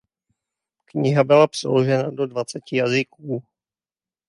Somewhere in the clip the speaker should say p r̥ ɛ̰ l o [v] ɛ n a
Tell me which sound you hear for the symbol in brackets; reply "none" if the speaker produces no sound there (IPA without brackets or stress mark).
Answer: ʒ